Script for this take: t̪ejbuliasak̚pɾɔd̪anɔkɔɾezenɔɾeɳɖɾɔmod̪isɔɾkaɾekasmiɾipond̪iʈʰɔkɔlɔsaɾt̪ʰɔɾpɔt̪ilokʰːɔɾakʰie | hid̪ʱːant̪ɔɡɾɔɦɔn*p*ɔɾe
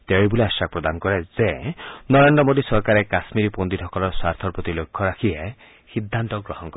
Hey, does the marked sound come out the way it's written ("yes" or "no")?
no